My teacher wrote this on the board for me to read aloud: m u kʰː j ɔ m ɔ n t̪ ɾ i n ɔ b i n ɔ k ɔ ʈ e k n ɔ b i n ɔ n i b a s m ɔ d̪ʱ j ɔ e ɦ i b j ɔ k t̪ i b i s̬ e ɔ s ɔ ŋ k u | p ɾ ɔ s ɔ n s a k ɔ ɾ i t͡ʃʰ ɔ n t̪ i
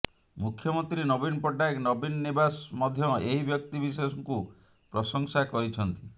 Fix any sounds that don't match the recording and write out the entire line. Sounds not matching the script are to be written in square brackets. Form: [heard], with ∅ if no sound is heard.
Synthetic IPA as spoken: m u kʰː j ɔ m ɔ n t̪ ɾ i n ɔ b i n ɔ [p] ɔ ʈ [a] k n ɔ b i n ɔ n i b a s m ɔ d̪ʱ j ɔ e ɦ i b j ɔ k t̪ i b i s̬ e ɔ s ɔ ŋ k u | p ɾ ɔ s ɔ [ŋ] s a k ɔ ɾ i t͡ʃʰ ɔ n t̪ i